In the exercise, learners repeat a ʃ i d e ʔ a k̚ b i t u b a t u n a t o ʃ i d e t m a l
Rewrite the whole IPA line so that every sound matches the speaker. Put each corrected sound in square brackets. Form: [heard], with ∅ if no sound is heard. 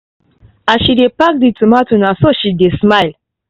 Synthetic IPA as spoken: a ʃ i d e [p] a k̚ [d] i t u [m] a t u n a [s] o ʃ i d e [s] m a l